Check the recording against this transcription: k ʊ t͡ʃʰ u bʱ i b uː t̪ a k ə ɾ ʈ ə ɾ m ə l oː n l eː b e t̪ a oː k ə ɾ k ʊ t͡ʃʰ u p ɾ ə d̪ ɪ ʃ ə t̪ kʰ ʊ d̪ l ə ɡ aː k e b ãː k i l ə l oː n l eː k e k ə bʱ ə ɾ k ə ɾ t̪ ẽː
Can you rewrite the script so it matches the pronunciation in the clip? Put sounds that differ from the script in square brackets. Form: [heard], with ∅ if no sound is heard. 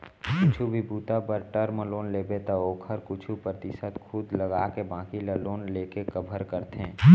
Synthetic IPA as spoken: k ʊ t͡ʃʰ u bʱ i b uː t̪ a [p] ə ɾ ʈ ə ɾ m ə l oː n l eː b e t̪ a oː [kʰ] ə ɾ k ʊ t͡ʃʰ u p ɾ ə [t̪] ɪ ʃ ə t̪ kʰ ʊ d̪ l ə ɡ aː k e b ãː k i l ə l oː n l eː k e k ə bʱ ə ɾ k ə ɾ t̪ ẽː

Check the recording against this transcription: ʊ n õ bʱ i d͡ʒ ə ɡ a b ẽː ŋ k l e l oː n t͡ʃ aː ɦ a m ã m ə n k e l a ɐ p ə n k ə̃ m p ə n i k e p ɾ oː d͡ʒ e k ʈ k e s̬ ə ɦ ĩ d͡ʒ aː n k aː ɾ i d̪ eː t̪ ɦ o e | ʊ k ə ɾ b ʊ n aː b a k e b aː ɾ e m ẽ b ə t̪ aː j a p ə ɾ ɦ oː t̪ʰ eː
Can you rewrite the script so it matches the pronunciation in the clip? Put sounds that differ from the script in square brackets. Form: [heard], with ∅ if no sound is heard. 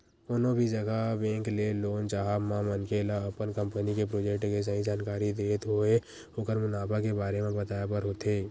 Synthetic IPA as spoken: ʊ n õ bʱ i d͡ʒ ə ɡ a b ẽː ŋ k l e l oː n t͡ʃ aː ɦ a m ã m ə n k e l a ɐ p ə n k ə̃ m p ə n i k e p ɾ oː d͡ʒ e k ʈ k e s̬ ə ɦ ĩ d͡ʒ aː n k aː ɾ i d̪ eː t̪ ɦ o e | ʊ k ə ɾ [m] ʊ n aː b a k e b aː ɾ e m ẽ b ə t̪ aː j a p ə ɾ ɦ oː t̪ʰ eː

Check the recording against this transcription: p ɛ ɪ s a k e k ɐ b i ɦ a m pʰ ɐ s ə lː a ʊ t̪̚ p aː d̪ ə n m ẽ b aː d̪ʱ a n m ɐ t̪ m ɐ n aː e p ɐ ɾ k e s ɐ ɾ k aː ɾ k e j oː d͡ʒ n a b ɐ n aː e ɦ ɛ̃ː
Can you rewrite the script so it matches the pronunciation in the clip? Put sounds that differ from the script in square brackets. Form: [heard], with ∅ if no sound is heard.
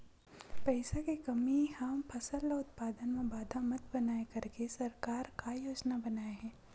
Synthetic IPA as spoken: p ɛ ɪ s a k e k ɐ [m] i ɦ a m pʰ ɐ s ə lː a ʊ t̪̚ p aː d̪ ə n m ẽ b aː d̪ʱ a [∅] m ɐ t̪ [b] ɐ n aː e [k] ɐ ɾ k e s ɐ ɾ k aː ɾ k [a] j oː d͡ʒ n a b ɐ n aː e ɦ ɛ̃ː

